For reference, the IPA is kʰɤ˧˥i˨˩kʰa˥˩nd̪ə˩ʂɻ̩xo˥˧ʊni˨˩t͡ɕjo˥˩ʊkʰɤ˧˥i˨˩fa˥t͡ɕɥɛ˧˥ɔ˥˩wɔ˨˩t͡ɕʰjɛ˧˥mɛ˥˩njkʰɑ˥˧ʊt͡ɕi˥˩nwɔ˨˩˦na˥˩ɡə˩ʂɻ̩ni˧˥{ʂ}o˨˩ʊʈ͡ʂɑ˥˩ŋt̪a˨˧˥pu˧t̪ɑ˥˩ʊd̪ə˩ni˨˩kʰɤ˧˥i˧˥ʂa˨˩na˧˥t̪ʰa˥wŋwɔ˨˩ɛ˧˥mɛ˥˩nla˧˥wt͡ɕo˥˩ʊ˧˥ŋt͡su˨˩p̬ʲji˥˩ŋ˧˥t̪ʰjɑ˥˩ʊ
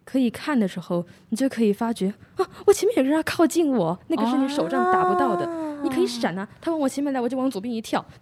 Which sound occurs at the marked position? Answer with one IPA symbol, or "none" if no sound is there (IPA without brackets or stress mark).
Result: ʂ